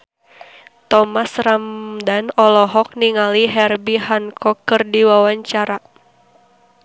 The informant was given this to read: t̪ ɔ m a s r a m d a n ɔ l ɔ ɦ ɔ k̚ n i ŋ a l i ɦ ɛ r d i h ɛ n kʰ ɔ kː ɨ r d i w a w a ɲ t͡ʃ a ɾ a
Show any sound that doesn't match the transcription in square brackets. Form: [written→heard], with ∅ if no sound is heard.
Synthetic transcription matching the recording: t̪ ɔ m a s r a m d a n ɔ l ɔ ɦ ɔ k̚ n i ŋ a l i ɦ ɛ r [d→b] i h [ɛ→a] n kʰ ɔ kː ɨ r d i w a w a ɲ t͡ʃ a ɾ a